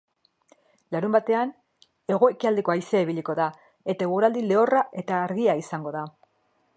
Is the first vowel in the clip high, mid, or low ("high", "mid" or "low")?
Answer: low